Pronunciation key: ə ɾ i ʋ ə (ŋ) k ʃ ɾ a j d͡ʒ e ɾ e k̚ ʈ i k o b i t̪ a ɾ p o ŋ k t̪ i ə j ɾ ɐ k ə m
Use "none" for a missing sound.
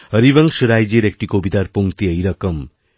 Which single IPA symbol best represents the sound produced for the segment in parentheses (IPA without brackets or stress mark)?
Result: ŋ